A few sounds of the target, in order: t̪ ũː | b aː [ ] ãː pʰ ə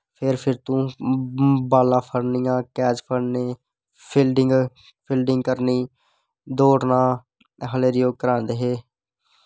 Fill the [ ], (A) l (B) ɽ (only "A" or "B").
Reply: A